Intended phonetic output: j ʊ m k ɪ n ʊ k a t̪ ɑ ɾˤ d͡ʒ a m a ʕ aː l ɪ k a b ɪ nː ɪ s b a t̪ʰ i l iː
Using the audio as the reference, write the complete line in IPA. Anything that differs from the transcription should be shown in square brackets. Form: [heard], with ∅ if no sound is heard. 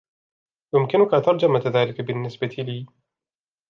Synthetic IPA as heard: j ʊ m k ɪ n ʊ k a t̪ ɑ ɾˤ d͡ʒ a m a [ð] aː l ɪ k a b ɪ nː ɪ s b a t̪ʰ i l iː